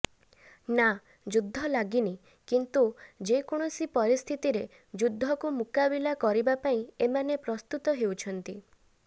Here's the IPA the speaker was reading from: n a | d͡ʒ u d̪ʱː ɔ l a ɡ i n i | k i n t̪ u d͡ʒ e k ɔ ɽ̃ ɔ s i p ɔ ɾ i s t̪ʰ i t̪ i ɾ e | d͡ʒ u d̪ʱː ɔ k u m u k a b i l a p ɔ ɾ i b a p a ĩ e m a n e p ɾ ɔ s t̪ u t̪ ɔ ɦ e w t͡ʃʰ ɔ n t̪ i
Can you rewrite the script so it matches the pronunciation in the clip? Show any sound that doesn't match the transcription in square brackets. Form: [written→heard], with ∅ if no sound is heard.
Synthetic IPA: n a | d͡ʒ u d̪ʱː ɔ l a ɡ i n i | k i n t̪ u d͡ʒ e k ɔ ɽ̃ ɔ s i p ɔ ɾ i s t̪ʰ i t̪ i ɾ e | d͡ʒ u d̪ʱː ɔ k u m u k a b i l a [p→k] ɔ ɾ i b a p a ĩ e m a n e p ɾ ɔ s t̪ u t̪ ɔ ɦ e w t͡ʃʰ ɔ n t̪ i